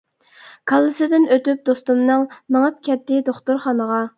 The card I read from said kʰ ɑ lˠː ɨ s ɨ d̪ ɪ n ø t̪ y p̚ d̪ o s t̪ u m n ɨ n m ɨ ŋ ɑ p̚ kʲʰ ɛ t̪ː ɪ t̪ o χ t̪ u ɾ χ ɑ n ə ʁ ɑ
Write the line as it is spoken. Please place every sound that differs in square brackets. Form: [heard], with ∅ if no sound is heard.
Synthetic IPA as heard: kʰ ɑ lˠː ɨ s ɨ d̪ ɪ n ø t̪ y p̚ d̪ o s t̪ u m n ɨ [ŋ] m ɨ ŋ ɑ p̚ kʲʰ ɛ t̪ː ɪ [d̪] o χ t̪ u ɾ χ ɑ n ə ʁ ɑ